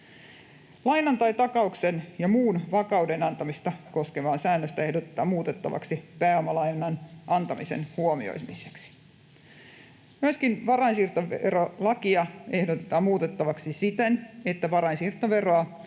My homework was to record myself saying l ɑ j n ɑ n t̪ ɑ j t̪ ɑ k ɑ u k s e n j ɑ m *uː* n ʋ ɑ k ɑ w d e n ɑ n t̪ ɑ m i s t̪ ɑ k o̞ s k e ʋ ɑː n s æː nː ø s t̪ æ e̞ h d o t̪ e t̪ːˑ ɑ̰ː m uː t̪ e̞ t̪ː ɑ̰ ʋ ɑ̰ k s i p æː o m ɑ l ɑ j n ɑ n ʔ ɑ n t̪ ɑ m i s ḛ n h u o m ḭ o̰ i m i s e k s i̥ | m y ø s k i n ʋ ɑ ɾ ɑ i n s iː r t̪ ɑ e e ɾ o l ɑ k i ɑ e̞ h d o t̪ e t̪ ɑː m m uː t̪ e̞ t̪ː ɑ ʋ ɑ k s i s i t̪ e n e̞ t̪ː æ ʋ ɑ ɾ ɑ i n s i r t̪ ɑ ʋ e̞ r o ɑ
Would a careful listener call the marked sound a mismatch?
no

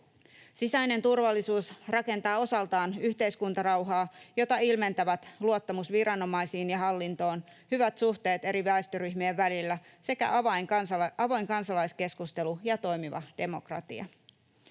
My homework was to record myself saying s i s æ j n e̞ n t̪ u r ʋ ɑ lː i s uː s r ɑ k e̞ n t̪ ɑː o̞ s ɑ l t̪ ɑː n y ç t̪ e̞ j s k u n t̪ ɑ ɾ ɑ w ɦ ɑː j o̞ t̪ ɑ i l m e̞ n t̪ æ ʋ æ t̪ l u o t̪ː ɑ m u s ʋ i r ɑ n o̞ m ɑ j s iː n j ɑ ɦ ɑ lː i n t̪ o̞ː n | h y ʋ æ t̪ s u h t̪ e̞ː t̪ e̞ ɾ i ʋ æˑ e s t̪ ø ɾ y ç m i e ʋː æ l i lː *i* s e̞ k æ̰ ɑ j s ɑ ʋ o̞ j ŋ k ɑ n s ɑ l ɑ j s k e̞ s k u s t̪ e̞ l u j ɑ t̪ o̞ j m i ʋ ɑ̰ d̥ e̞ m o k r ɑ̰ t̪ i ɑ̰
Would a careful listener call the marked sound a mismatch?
yes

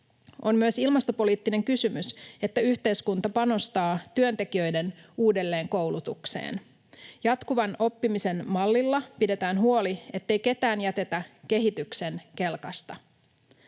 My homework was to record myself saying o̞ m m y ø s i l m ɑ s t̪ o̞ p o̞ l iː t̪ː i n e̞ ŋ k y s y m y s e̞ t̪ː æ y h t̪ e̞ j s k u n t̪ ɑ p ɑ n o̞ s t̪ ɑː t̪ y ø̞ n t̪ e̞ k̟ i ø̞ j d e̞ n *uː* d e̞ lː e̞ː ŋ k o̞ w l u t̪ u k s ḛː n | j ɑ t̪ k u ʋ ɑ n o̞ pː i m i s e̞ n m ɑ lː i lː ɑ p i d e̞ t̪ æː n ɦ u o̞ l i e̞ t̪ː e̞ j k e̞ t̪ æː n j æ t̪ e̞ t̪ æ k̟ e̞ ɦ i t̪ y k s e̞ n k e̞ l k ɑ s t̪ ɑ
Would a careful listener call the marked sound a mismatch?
no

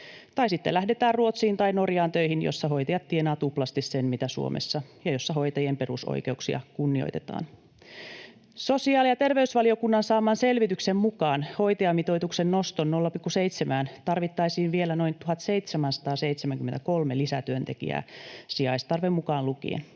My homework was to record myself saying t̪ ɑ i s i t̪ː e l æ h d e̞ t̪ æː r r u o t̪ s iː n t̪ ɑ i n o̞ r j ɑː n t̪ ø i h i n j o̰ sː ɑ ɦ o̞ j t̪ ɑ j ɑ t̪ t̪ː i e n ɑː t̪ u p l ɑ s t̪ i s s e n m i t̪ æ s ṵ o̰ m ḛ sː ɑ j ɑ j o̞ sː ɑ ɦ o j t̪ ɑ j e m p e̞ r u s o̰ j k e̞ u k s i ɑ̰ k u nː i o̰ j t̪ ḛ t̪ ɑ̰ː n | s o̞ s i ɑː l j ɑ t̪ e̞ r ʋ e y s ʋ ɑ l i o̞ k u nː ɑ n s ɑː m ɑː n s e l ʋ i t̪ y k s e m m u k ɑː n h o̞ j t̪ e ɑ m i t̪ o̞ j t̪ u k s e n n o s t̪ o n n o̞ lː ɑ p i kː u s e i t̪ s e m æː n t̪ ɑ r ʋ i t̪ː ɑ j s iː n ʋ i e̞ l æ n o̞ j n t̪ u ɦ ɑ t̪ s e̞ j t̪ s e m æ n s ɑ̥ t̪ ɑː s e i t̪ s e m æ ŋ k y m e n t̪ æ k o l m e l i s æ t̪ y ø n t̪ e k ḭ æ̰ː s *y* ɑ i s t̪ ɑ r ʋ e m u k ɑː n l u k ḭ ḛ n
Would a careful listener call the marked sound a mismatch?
yes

